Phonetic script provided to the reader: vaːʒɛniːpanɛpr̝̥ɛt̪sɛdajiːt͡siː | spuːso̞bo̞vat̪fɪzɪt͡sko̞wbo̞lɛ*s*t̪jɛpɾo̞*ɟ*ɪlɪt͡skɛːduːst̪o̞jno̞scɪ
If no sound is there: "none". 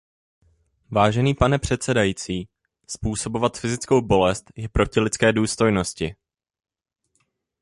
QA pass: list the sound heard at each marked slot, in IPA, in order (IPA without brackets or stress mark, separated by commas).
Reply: s, c